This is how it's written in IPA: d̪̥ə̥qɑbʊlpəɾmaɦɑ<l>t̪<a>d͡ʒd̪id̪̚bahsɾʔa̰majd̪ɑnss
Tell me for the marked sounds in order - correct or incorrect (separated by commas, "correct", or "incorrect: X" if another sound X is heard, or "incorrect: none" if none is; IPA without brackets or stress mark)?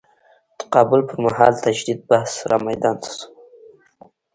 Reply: correct, correct